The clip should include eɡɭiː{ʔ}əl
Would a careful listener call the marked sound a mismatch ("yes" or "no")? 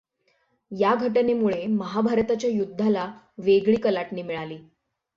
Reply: yes